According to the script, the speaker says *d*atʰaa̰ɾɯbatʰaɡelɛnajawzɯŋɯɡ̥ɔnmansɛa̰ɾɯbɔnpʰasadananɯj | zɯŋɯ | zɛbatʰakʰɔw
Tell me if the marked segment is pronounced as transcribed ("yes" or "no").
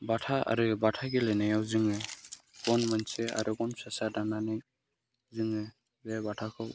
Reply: no